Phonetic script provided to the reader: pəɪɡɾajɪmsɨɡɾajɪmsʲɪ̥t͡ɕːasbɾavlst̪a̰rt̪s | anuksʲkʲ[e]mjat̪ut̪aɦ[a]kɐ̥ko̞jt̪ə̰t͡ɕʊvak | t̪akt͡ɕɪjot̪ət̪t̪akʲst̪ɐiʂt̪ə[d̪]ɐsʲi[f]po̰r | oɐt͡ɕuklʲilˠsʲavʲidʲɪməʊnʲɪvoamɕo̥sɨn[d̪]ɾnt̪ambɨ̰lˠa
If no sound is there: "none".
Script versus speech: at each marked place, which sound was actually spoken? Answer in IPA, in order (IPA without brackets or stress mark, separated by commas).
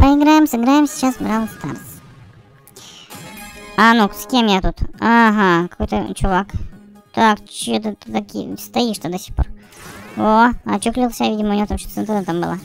e, a, d̪, x, t̪